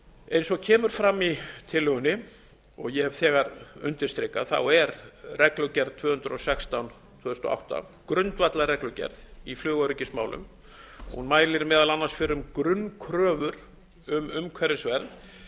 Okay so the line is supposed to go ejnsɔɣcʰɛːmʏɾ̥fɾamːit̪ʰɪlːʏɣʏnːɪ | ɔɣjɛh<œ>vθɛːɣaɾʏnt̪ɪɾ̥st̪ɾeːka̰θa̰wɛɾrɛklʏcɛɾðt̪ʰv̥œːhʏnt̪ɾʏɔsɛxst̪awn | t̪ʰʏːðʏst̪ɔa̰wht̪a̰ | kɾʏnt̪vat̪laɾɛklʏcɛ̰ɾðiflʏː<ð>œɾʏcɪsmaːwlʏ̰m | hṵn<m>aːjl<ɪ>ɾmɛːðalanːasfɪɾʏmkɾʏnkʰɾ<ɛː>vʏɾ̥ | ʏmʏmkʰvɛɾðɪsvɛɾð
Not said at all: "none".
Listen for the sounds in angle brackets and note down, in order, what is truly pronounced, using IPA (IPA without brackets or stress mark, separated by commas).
ɛ, ɣ, m, ɪ, œː